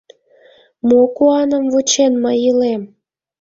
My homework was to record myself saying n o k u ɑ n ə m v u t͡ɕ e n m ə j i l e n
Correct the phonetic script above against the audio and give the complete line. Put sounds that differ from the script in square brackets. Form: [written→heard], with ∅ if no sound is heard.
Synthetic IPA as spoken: [n→m] o k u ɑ n ə m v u t͡ɕ e n m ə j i l e [n→m]